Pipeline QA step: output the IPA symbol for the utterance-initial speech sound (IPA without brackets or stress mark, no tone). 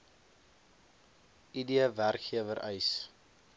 i